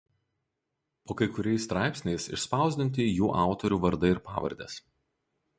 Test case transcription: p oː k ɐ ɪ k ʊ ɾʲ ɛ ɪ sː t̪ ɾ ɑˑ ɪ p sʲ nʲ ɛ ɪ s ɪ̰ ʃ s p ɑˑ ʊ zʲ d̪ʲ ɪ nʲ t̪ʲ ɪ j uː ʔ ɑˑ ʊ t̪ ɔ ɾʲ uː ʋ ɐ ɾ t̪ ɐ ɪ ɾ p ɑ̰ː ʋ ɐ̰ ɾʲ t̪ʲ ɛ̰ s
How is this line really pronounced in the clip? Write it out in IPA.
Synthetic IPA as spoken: p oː k ɐ ɪ k ʊ ɾʲ ɛ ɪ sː t̪ ɾ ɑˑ ɪ p sʲ nʲ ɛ ɪ s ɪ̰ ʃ s p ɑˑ ʊ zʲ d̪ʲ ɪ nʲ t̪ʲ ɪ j uː ʔ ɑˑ ʊ t̪ ɔ ɾʲ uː ʋ ɐ ɾ d̪ ɐ ɪ ɾ p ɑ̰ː ʋ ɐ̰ ɾʲ d̪ʲ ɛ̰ s